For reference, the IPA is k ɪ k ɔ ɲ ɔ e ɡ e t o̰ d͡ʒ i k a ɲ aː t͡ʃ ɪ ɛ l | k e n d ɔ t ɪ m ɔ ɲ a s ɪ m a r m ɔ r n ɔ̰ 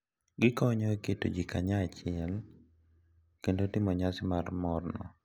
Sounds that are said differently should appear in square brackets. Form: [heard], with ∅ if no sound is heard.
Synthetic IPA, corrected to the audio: [ɡ] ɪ k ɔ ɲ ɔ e [k] e t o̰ d͡ʒ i k a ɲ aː t͡ʃ ɪ ɛ l | k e n d [o] t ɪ m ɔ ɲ a s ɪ m a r m ɔ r n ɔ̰